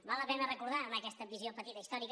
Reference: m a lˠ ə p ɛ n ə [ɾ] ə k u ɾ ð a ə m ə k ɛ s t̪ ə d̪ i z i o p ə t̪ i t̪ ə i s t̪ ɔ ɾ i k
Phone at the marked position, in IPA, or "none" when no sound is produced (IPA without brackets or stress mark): r